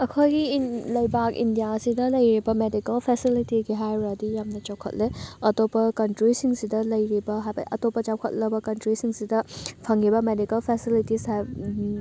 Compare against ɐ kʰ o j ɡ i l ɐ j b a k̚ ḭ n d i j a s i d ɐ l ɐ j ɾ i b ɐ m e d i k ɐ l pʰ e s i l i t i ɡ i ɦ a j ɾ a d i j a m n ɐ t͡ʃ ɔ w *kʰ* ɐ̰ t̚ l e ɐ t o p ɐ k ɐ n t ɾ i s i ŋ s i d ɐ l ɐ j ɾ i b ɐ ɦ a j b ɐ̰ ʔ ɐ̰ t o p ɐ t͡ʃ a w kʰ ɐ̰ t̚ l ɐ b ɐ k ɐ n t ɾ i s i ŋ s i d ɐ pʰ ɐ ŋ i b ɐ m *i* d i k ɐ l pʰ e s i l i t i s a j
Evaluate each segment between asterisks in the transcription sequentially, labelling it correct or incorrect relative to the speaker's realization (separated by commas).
correct, incorrect